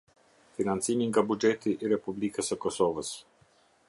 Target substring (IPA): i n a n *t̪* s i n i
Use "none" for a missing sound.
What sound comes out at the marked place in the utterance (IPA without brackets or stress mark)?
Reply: t̪